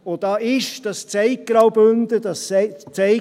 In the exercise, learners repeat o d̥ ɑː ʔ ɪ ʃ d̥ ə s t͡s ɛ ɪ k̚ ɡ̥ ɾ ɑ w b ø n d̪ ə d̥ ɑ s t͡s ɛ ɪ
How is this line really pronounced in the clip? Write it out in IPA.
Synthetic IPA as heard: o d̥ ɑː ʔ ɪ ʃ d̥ ɑ s t͡s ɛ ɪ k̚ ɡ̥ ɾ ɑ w b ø n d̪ ə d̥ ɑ s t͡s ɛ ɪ